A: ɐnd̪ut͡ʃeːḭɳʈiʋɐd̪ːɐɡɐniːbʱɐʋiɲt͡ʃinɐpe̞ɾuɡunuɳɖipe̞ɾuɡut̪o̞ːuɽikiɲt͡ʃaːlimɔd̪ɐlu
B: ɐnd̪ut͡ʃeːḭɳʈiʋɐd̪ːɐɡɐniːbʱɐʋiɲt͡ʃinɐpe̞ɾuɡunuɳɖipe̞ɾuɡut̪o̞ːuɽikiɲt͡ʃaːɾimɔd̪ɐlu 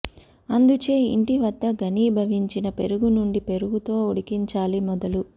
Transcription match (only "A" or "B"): A